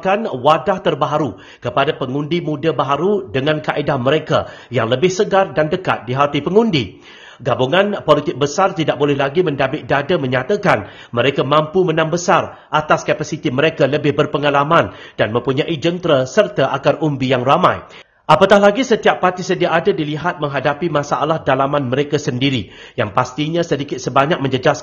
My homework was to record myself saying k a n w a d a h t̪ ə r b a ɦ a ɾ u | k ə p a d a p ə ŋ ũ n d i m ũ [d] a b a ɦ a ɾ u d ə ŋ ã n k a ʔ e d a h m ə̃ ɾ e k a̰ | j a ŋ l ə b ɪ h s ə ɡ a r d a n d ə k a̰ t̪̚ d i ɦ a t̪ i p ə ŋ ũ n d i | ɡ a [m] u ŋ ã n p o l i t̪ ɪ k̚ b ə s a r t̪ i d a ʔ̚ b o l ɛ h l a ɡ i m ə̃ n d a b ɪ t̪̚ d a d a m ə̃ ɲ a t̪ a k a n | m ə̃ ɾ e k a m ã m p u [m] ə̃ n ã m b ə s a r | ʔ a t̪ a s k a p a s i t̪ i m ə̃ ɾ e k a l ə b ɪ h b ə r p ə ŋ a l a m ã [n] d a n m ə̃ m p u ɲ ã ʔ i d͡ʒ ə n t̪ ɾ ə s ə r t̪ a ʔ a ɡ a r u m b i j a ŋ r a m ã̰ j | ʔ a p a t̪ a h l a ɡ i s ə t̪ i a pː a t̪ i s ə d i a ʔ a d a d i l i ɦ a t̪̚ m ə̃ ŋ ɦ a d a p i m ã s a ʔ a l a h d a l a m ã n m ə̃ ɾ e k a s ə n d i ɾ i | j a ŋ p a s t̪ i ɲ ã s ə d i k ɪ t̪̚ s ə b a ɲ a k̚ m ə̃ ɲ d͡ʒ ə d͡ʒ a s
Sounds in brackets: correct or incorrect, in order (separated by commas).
correct, incorrect, correct, correct